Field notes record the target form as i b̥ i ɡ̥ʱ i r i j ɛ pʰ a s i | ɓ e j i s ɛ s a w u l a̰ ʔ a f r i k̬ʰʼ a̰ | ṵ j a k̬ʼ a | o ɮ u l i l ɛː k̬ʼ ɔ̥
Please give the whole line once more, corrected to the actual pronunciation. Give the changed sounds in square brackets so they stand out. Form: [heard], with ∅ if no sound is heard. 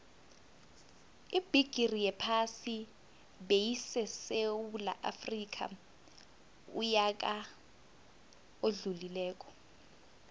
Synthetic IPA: i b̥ i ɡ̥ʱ i r i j ɛ pʰ a s i | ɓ e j i s ɛ s [e] w u l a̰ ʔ a f r i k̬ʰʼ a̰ | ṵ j a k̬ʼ a | o ɮ u l i l ɛː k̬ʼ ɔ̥